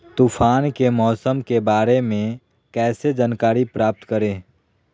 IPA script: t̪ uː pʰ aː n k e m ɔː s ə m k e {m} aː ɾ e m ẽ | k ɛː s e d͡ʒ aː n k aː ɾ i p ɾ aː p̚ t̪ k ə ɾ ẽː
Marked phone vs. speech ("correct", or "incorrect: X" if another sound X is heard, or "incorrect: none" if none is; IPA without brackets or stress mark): incorrect: b